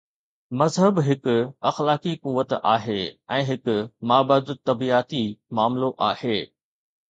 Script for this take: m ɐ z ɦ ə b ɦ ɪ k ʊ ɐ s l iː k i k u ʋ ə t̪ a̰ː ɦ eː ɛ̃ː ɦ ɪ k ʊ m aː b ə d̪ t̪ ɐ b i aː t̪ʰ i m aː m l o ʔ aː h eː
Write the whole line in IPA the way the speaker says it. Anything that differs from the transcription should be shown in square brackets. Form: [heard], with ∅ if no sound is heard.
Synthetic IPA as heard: m ɐ z ɦ ə b ɦ ɪ k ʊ ɐ [x] l [aː] k i k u ʋ ə t̪ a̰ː ɦ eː ɛ̃ː ɦ ɪ k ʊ m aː b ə d̪ t̪ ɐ b i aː [t̪] i m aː m l o ʔ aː h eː